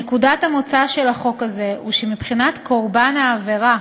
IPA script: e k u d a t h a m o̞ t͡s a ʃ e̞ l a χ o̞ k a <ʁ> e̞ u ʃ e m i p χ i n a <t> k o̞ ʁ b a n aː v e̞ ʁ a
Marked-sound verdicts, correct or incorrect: incorrect: z, correct

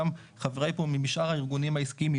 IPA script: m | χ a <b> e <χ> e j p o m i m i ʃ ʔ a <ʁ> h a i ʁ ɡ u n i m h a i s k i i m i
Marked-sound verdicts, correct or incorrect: incorrect: v, incorrect: ʁ, correct

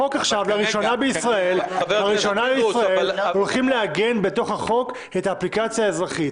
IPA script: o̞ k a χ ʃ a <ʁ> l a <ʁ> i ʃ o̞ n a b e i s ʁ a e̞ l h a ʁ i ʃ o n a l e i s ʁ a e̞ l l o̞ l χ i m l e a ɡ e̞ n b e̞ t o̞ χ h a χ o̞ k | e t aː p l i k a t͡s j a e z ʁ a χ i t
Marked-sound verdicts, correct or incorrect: incorrect: v, correct

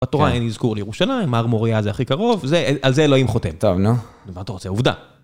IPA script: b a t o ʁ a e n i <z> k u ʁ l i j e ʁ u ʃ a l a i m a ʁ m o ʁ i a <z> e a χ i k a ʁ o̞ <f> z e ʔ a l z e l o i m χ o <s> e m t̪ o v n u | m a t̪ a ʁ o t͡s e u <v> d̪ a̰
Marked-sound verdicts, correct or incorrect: correct, correct, incorrect: v, incorrect: t, correct

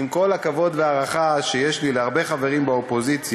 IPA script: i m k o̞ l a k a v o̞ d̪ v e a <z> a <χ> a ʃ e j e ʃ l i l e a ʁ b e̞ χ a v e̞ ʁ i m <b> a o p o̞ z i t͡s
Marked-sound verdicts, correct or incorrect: incorrect: ʁ, correct, correct

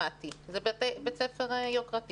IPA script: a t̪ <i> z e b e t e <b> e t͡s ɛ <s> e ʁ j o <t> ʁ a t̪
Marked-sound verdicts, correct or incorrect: correct, correct, incorrect: f, incorrect: k

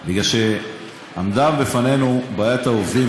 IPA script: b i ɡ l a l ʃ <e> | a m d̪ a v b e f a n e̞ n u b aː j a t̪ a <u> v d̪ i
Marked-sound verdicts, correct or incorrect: correct, incorrect: o

